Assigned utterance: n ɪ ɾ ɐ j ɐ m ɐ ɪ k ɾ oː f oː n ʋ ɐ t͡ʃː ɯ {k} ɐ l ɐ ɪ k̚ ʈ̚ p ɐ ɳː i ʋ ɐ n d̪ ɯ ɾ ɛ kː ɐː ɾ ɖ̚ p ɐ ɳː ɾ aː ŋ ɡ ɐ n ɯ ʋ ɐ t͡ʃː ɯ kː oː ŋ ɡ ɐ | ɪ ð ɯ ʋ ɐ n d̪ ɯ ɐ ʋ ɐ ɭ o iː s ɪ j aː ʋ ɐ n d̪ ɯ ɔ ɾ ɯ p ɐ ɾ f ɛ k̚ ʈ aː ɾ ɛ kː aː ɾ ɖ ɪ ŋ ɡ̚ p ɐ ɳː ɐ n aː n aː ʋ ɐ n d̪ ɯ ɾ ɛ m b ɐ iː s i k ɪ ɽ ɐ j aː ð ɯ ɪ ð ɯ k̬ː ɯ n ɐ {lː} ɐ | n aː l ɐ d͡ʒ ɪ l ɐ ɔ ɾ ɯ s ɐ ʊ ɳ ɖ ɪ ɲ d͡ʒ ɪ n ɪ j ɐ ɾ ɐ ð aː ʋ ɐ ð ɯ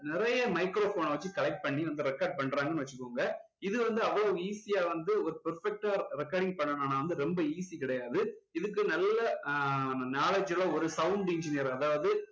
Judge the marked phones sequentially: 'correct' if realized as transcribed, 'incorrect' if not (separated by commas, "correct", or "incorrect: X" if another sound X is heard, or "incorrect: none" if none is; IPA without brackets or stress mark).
correct, correct